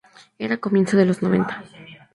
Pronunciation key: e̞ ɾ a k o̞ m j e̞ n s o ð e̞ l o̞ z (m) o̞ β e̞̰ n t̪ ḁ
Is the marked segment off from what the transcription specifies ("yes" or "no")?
yes